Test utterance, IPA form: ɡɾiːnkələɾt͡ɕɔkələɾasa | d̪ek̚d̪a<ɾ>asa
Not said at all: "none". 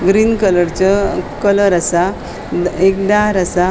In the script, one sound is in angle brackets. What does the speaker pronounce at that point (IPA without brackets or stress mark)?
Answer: ɾ